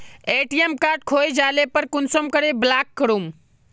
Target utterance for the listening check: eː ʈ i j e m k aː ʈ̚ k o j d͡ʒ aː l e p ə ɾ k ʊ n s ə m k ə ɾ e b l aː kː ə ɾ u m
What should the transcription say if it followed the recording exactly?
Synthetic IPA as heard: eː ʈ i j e m k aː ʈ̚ kʰ o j d͡ʒ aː l e p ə ɾ k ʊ n s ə m k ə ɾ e b l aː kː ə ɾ u m